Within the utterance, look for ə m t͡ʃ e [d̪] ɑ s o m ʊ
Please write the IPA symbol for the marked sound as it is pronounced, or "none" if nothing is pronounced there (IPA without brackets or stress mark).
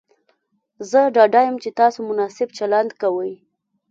t̪